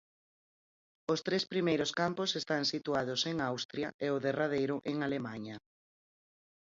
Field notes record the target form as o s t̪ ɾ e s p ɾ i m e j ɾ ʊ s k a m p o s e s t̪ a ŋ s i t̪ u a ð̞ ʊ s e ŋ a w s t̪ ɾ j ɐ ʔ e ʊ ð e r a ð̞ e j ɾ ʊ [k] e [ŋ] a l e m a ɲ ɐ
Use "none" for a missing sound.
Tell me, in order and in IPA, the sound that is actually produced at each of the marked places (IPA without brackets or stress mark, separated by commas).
ʔ, ŋ